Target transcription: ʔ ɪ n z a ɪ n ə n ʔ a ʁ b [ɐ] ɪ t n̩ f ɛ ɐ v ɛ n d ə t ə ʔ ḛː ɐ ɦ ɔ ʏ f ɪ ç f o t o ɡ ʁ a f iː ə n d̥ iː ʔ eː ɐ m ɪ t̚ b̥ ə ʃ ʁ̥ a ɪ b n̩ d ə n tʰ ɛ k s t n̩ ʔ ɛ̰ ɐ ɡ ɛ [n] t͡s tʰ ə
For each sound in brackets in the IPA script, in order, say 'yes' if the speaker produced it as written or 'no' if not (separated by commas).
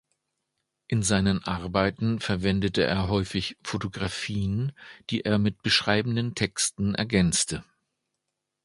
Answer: no, yes